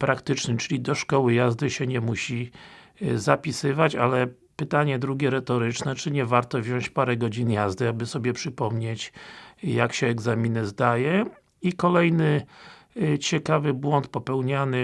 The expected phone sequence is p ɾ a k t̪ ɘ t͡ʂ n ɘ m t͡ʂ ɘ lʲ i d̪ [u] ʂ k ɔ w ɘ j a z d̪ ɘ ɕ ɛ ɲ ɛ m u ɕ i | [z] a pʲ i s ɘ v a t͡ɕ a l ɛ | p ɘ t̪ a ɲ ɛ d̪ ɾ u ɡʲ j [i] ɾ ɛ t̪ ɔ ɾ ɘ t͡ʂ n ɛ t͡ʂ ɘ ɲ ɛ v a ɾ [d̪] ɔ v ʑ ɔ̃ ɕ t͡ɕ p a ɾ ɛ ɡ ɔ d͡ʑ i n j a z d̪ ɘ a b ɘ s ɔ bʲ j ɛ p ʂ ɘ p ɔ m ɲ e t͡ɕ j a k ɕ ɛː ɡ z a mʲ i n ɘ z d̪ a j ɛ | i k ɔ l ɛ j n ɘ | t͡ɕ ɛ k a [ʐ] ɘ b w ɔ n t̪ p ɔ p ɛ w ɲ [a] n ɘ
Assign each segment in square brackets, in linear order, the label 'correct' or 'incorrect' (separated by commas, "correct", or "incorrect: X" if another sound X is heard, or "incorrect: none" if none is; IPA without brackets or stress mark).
incorrect: ɔ, correct, incorrect: ɛ, incorrect: t̪, incorrect: v, correct